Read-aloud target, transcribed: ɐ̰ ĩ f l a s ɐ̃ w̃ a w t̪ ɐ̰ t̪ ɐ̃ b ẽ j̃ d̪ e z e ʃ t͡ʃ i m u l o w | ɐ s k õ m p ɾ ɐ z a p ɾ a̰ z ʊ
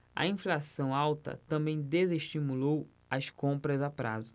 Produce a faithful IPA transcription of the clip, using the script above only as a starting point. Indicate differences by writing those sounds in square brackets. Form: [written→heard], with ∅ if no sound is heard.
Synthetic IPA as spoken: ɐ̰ ĩ f l a s ɐ̃ w̃ a w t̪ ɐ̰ t̪ ɐ̃ b ẽ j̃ d̪ e z e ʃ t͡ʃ i m u l o w | ɐ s k õ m p ɾ ɐ z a p ɾ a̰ z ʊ